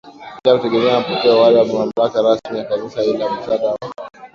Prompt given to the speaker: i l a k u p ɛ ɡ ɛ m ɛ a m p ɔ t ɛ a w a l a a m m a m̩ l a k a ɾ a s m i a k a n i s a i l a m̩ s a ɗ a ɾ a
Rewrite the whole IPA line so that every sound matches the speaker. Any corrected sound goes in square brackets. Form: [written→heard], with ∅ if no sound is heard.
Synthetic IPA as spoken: i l a k u [p→t] ɛ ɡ ɛ m ɛ a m p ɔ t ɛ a w a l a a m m a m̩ l a k a ɾ a s m i a k a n i s a i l a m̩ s a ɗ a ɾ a